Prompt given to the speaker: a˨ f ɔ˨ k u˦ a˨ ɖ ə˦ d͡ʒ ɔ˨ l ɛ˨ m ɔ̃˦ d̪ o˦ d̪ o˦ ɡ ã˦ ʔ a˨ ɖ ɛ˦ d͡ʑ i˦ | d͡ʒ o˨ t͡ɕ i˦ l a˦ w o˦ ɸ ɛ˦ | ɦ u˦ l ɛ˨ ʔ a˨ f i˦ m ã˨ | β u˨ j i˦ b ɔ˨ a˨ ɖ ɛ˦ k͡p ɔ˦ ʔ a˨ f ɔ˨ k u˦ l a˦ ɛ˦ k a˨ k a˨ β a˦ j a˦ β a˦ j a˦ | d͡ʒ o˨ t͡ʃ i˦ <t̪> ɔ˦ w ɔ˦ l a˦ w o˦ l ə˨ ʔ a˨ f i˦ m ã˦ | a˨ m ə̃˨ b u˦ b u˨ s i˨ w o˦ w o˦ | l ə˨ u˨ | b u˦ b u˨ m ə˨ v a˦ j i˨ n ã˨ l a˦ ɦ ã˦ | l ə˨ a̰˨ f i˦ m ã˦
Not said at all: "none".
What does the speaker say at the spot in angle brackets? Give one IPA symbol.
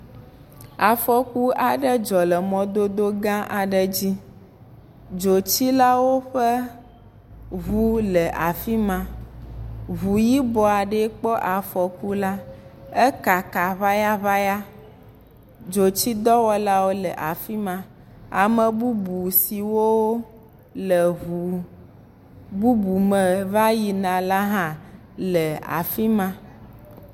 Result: d̪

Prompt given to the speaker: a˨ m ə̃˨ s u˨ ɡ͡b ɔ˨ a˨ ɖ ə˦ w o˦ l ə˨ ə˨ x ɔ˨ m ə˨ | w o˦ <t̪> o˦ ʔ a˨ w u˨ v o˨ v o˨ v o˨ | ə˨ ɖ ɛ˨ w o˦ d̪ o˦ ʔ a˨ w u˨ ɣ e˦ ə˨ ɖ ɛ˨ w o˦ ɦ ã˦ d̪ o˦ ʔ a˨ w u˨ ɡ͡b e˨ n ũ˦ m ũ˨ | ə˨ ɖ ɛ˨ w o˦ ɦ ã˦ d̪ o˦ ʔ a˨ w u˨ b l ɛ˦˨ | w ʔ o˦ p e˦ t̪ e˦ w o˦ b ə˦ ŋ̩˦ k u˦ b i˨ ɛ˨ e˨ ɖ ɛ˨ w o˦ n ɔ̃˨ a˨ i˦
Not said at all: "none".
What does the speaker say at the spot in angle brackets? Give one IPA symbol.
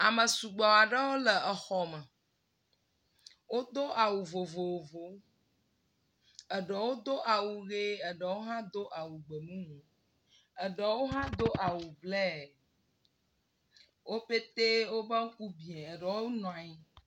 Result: d̪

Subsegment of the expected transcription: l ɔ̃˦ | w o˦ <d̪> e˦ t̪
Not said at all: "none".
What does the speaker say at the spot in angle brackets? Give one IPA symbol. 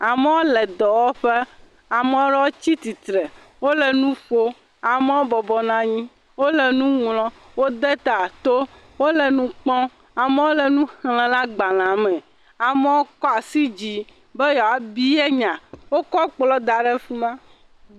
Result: d̪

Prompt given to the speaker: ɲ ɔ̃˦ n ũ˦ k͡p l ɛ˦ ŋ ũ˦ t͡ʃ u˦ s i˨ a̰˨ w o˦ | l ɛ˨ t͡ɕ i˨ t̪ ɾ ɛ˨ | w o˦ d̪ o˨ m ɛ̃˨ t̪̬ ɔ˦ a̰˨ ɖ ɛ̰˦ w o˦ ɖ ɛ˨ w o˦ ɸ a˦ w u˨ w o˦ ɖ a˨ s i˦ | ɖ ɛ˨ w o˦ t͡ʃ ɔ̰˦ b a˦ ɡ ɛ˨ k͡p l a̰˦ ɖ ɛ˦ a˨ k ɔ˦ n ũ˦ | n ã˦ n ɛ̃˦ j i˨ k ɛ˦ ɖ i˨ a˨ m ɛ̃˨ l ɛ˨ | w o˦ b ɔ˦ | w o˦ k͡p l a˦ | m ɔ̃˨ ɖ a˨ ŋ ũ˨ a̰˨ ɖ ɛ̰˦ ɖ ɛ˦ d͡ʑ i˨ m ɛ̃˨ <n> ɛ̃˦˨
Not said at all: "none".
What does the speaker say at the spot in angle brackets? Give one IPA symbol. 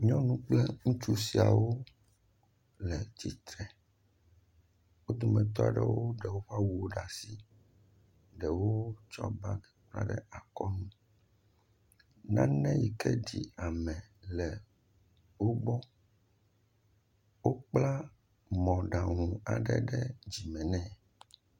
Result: n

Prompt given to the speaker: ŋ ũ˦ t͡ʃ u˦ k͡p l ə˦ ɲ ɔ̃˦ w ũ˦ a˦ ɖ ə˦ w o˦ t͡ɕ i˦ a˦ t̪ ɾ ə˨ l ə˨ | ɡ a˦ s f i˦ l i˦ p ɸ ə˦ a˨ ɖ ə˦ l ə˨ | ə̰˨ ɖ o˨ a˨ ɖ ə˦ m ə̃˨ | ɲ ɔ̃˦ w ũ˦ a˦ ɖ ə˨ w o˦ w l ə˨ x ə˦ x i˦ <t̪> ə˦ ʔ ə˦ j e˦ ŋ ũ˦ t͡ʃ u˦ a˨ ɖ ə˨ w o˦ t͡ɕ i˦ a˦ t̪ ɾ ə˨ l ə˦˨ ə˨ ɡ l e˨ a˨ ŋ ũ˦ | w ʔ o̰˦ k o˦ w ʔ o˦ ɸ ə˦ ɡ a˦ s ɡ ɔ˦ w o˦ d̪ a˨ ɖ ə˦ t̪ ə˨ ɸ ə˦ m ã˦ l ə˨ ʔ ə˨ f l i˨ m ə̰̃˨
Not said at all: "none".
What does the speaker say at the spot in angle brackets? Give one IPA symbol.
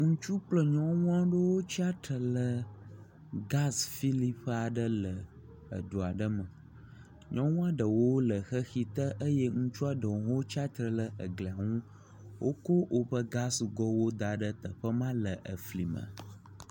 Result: t̪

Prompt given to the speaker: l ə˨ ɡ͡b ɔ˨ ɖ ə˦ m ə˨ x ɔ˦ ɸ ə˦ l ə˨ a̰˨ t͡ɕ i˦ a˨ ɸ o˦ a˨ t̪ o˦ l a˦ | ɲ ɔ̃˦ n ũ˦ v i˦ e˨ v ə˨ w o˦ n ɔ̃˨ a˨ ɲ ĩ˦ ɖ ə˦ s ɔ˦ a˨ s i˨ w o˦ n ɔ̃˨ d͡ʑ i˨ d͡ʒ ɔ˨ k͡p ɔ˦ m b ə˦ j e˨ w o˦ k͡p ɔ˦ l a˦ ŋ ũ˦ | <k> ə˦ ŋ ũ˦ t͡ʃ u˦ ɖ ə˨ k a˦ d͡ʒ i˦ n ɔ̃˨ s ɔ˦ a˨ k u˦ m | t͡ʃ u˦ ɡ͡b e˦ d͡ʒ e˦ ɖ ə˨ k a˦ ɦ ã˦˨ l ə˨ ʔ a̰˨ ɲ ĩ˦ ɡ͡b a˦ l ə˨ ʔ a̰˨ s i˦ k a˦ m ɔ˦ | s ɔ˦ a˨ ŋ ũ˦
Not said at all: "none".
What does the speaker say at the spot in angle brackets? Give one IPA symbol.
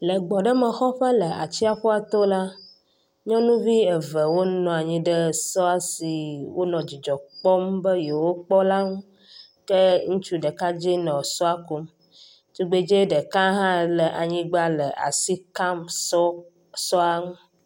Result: k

